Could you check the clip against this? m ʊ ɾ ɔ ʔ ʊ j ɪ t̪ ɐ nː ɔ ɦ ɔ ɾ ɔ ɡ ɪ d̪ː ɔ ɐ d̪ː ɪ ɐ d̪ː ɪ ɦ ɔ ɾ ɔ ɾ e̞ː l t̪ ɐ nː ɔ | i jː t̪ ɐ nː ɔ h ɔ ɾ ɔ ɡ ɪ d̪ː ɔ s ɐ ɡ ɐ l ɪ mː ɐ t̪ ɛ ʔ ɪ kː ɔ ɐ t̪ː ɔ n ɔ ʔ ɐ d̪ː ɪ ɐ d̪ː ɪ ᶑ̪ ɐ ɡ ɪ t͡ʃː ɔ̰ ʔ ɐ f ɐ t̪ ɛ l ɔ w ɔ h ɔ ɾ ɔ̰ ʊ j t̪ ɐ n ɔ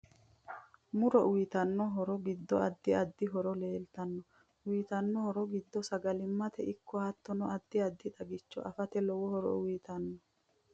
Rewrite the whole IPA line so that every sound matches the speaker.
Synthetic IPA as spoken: m ʊ ɾ ɔ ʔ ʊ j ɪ t̪ ɐ nː ɔ ɦ ɔ ɾ ɔ ɡ ɪ d̪ː ɔ ɐ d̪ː ɪ ɐ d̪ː ɪ ɦ ɔ ɾ ɔ l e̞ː l t̪ ɐ nː ɔ | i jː t̪ ɐ nː ɔ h ɔ ɾ ɔ ɡ ɪ d̪ː ɔ s ɐ ɡ ɐ l ɪ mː ɐ t̪ ɛ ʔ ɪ kː ɔ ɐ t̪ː ɔ n ɔ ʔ ɐ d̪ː ɪ ɐ d̪ː ɪ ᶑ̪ ɐ ɡ ɪ t͡ʃː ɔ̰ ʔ ɐ f ɐ t̪ ɛ l ɔ w ɔ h ɔ ɾ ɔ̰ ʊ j t̪ ɐ nː ɔ